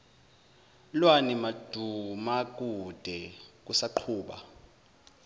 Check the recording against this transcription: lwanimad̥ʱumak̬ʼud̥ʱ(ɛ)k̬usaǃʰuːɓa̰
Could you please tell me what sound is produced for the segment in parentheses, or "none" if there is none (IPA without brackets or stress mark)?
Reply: ɛ